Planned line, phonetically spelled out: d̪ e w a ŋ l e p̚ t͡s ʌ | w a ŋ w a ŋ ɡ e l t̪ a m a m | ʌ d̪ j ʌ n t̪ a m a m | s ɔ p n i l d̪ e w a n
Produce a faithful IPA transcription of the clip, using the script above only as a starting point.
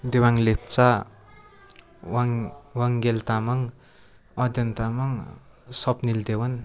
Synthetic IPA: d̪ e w a ŋ l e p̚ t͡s a | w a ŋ w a ŋ ɡ e l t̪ a m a ŋ | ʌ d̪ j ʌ n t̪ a m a ŋ | s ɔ p n i l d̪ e w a n